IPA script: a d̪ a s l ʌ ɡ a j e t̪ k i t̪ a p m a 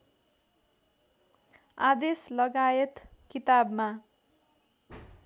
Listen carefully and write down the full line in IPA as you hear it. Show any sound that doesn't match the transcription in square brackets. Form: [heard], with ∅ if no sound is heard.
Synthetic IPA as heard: a d̪ [e] s l ʌ ɡ a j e t̪ k i t̪ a [b] m a